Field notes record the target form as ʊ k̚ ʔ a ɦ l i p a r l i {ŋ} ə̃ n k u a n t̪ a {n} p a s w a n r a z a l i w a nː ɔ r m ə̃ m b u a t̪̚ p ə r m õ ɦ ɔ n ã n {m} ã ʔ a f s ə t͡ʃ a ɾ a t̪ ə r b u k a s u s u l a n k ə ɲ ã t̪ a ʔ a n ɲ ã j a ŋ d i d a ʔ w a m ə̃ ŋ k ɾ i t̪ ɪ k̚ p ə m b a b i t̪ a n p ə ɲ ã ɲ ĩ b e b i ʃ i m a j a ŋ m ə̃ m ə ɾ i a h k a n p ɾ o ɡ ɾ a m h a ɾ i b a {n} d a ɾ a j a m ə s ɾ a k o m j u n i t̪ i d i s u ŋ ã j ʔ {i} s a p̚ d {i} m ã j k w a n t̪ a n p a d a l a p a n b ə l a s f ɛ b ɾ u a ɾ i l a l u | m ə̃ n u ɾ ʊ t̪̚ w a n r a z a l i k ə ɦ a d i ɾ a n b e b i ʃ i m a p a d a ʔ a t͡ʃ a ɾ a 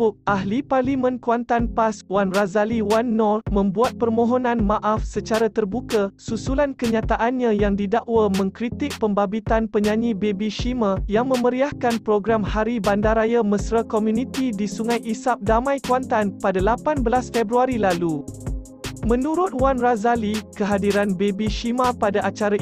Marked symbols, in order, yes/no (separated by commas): no, yes, yes, yes, yes, no